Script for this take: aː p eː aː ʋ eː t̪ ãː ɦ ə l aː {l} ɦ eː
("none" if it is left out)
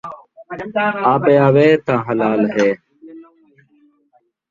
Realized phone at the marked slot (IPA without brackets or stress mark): l